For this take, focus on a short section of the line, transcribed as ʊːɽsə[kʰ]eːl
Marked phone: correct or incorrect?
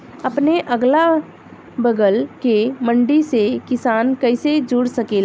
incorrect